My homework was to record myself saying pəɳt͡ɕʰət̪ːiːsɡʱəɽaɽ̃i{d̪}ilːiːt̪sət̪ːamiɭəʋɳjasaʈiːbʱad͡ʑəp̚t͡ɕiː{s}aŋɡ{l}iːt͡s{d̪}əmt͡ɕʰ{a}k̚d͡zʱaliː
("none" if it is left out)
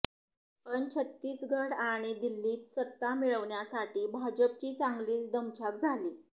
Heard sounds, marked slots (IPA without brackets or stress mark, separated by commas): d̪, t͡s, l, d̪, a